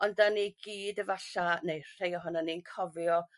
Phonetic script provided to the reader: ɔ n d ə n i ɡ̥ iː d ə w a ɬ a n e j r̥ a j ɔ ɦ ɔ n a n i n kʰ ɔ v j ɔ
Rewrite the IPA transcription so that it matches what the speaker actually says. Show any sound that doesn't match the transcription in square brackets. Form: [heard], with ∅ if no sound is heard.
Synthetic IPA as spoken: ɔ n d [a] n i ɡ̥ iː d ə [v] a ɬ a n e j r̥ [e] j ɔ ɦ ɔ n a n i n kʰ ɔ v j ɔ